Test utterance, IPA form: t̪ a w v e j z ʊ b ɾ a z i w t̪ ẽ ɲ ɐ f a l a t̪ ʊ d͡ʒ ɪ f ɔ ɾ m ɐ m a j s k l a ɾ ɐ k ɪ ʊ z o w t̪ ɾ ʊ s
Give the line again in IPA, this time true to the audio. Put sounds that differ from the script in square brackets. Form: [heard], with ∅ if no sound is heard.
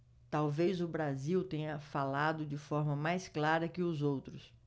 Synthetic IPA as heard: t̪ a w v e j z ʊ b ɾ a z i w t̪ ẽ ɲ ɐ f a l a [d̪] ʊ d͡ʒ ɪ f ɔ ɾ m ɐ m a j s k l a ɾ ɐ k ɪ ʊ z o w t̪ ɾ ʊ s